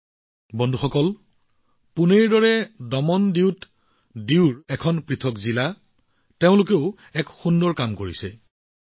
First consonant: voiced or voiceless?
voiced